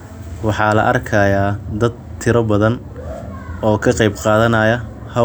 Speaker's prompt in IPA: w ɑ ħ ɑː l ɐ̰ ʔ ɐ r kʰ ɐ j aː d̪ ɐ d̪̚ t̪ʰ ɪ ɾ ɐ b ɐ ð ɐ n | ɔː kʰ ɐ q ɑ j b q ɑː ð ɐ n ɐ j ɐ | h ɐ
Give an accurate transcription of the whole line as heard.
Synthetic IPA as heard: w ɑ ħ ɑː l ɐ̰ ʔ ɐ r kʰ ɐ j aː d̪ ɐ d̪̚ t̪ʰ ɪ ɾ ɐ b ɐ ð ɐ n | ɔː kʰ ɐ q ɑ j b q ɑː ð ɐ n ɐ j ɐ | h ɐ